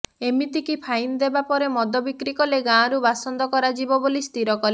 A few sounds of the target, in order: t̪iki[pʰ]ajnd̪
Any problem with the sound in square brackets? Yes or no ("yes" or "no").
no